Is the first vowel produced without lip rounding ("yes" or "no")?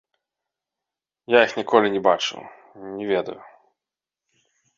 yes